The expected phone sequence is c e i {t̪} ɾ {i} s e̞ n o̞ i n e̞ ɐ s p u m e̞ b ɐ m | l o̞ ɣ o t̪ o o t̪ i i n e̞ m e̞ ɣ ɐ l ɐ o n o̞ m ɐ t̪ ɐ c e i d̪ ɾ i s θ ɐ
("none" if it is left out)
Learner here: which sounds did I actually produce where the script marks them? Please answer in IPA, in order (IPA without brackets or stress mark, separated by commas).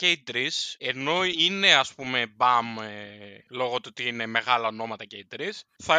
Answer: d̪, i